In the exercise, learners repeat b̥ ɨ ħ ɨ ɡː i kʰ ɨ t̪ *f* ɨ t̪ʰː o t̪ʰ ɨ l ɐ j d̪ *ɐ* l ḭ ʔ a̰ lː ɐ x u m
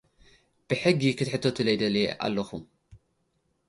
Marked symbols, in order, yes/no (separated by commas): no, yes